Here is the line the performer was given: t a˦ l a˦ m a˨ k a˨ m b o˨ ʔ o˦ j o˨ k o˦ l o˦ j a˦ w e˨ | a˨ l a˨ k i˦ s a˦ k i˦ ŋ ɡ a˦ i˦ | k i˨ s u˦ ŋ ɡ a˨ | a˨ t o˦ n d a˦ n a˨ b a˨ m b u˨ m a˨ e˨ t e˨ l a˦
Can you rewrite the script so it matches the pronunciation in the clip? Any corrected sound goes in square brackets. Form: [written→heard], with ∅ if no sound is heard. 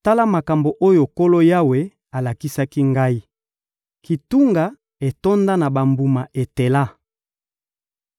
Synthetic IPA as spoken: t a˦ l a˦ m a˨ k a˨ m b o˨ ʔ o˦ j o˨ k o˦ l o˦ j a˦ w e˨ | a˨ l a˨ k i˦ s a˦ k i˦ ŋ ɡ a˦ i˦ | k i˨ [s→t] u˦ ŋ ɡ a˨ | [a˨→e˨] t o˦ n d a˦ n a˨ b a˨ m b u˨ m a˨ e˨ t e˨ l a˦